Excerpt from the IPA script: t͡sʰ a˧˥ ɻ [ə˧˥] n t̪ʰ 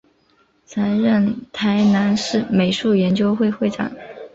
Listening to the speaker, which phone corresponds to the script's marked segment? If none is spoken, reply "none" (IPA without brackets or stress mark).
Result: ə˥˩